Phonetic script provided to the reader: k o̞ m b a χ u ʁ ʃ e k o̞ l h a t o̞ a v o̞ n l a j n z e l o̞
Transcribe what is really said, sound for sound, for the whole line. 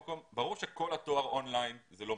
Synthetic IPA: k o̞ m b a ʁ u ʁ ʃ e k o̞ l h a t o̞ a ʁ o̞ n l a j n z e l o̞